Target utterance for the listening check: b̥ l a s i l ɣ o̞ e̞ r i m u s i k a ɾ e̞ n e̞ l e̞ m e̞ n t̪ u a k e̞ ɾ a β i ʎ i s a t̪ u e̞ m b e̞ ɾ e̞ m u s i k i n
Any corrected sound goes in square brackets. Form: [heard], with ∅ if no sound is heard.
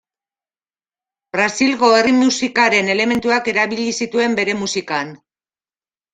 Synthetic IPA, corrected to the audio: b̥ [ɾ] a s i l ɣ o̞ e̞ r i m u s i k a ɾ e̞ n e̞ l e̞ m e̞ n t̪ u a k e̞ ɾ a β i ʎ i s [i] t̪ u e̞ m b e̞ ɾ e̞ m u s i k [a] n